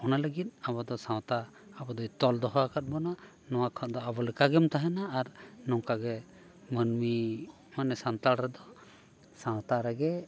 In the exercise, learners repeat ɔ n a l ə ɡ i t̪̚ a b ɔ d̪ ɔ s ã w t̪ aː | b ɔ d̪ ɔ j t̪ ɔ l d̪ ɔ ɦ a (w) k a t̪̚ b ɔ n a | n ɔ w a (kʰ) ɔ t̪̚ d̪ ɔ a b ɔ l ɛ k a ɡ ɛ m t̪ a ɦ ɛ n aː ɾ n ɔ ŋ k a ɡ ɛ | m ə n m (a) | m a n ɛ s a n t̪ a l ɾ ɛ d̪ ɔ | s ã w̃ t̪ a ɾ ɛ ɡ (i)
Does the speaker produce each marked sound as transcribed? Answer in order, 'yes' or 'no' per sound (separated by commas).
no, yes, no, no